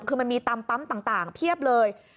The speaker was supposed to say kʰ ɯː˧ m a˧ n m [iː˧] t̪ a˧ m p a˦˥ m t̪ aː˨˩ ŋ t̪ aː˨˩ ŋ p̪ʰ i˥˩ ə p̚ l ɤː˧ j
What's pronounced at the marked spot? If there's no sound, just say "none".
iː˧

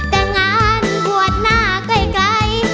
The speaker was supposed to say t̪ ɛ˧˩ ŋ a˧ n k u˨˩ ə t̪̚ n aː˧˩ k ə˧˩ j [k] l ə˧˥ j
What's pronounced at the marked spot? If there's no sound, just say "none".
k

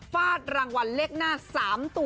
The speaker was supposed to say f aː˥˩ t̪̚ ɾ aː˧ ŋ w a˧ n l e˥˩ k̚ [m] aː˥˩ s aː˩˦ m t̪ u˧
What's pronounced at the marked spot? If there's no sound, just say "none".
n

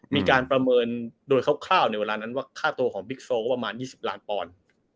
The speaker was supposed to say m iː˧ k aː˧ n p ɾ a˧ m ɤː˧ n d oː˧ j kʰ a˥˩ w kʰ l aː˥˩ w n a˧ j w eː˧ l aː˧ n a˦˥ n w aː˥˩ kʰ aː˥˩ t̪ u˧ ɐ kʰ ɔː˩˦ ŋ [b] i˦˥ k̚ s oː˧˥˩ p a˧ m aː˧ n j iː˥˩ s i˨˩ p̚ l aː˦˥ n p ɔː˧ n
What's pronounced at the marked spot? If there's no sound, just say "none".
b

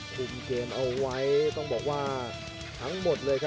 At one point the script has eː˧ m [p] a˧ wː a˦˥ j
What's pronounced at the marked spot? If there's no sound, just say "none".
ʔ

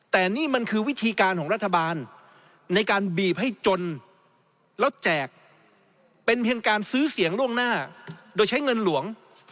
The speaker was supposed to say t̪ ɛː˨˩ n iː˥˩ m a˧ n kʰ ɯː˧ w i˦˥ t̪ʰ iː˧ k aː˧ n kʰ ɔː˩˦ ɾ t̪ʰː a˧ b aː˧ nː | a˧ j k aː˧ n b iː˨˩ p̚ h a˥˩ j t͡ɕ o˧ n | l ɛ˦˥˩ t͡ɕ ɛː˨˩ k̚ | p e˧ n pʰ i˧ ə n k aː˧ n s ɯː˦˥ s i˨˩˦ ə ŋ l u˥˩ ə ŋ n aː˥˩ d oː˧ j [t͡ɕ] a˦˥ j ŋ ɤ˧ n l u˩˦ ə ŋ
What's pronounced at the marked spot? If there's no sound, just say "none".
t͡ɕʰ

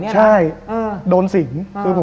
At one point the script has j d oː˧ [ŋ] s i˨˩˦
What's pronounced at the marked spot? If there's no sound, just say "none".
n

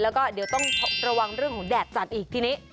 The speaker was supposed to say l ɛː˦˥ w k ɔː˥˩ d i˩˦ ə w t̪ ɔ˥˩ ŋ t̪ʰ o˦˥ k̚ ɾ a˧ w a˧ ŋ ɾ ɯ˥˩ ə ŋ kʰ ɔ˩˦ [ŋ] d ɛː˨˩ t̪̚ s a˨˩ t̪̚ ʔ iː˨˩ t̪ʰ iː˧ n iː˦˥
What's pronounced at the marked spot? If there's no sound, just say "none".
ŋ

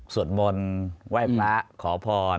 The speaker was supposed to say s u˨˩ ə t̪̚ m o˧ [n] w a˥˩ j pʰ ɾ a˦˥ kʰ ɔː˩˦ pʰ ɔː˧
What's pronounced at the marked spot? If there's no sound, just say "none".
n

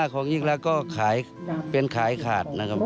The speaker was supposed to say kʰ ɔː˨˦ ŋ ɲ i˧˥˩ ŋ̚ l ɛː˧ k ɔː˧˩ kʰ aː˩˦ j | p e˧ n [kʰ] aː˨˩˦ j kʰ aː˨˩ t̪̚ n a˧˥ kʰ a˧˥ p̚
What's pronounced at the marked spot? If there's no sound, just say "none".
kʰ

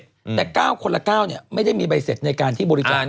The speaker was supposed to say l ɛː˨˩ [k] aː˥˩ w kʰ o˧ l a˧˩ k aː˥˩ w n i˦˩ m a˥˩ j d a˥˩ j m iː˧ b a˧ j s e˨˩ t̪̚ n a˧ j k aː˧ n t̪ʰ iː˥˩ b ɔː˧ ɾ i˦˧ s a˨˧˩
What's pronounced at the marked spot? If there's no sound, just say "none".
k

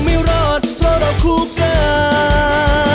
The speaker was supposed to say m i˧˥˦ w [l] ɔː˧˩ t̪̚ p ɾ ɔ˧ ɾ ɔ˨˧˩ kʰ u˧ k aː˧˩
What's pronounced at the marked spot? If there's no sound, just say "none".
ɾ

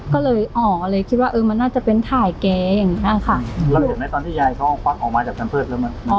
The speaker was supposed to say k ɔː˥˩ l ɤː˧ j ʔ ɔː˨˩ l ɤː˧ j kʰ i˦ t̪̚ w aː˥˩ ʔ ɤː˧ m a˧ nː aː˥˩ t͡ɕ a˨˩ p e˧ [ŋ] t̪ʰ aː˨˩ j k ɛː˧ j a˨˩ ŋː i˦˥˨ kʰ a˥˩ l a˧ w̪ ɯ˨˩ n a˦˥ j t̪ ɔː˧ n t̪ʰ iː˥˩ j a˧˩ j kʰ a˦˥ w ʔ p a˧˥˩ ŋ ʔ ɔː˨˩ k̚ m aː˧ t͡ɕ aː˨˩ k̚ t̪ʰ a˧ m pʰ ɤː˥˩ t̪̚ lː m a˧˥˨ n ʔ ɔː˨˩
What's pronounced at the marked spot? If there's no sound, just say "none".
n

